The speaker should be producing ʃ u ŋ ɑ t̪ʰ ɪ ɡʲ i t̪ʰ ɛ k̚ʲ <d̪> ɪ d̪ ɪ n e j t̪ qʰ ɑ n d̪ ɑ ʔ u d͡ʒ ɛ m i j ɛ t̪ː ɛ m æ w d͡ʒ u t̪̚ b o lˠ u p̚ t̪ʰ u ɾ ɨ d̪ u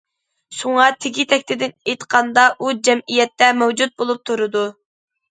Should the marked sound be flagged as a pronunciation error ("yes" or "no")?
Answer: yes